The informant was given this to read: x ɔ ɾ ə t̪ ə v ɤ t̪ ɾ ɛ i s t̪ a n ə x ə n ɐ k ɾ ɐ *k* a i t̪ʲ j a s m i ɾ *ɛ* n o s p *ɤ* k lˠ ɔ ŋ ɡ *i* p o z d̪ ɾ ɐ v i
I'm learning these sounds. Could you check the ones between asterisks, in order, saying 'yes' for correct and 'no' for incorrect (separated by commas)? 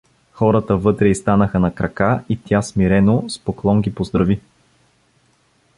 yes, yes, no, yes